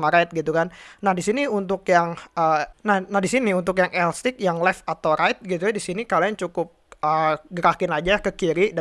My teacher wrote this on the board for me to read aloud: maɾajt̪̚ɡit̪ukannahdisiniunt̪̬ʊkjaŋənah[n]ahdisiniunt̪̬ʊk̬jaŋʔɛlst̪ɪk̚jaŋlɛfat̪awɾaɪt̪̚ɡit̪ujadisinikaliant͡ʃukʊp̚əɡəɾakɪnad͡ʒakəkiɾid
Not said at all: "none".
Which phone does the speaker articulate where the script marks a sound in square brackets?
n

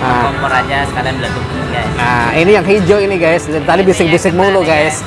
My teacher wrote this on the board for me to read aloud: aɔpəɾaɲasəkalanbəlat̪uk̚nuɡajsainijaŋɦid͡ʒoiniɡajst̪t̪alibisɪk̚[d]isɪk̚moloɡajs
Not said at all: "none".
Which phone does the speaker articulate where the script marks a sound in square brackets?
b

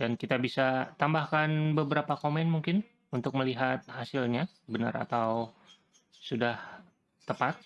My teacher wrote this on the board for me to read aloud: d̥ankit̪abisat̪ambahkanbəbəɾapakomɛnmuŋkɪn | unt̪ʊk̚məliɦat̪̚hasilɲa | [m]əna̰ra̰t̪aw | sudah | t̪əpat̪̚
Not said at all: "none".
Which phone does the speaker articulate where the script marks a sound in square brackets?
b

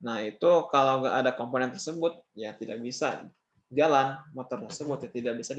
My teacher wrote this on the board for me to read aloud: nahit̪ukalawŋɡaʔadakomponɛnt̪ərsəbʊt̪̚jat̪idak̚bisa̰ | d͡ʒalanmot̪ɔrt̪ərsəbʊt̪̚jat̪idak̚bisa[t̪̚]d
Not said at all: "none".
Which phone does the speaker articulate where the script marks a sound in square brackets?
none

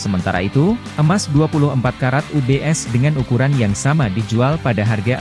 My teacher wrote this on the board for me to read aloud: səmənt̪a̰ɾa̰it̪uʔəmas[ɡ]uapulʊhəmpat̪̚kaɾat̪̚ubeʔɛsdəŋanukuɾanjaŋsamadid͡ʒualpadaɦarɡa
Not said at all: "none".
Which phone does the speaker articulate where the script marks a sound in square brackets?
d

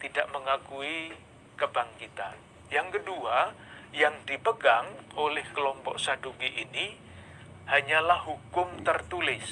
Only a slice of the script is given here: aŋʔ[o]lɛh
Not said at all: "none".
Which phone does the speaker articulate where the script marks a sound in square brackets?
o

